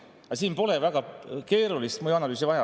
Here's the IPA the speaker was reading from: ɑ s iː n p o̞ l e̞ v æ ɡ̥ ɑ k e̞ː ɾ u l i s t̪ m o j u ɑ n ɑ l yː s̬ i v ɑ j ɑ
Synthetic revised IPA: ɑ s iː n p o̞ l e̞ v æ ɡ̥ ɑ k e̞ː ɾ u l i s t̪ m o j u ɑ n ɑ l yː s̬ i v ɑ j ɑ